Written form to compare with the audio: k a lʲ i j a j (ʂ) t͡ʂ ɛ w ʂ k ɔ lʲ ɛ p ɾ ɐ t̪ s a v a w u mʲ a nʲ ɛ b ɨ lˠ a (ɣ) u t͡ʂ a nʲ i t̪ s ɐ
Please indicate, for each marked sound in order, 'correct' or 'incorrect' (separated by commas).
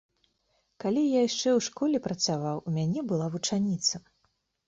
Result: correct, incorrect